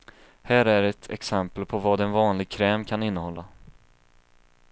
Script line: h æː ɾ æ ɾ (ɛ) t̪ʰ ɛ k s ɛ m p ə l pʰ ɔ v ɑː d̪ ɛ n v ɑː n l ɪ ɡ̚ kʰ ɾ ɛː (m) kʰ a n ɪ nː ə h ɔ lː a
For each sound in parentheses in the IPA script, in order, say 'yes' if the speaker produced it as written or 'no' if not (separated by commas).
yes, yes